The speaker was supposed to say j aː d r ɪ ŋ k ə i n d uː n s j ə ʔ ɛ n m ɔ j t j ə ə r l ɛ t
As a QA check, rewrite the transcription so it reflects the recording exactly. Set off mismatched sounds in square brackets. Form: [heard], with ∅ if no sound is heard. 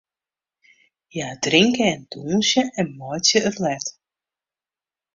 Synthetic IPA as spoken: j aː d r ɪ ŋ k ə [ɛ] n d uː n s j ə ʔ ɛ n m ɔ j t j ə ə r l ɛ t